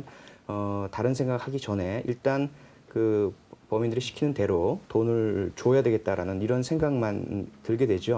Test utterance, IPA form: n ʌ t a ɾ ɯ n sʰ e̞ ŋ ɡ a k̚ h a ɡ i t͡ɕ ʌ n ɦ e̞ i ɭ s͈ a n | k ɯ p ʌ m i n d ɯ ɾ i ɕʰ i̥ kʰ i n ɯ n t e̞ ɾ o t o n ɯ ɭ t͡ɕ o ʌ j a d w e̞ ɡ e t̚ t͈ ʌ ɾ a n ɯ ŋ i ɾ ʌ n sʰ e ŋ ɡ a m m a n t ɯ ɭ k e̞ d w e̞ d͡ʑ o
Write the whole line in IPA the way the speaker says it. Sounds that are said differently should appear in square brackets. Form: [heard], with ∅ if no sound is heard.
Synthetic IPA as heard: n ʌ t a ɾ ɯ n sʰ e̞ ŋ ɡ a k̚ h a ɡ i t͡ɕ ʌ n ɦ e̞ i ɭ [t͈] a n | k ɯ p ʌ m i n d ɯ ɾ i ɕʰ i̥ kʰ i n ɯ n t e̞ ɾ o t o n ɯ ɭ t͡ɕ o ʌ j a d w e̞ ɡ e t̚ t͈ [a] ɾ a n ɯ [n] i ɾ ʌ n sʰ e ŋ ɡ a [ŋ] m a n t ɯ ɭ [ɡ] e̞ d w e̞ d͡ʑ o